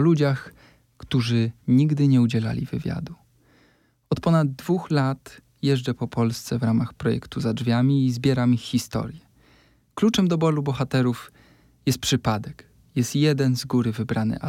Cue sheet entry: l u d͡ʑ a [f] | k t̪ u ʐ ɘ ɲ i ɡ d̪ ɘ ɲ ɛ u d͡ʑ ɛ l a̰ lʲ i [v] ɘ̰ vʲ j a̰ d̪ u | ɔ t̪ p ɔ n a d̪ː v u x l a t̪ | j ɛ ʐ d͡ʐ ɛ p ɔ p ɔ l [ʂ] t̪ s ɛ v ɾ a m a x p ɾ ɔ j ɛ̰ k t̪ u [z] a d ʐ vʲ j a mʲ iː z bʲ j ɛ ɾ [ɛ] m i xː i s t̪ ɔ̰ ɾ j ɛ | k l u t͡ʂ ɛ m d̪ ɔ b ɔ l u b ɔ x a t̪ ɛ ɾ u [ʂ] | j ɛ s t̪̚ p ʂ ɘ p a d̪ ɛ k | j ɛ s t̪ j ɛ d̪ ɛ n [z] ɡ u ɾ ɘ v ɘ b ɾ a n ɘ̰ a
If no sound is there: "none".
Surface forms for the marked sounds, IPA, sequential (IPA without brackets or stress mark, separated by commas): x, v, s, z, a, f, z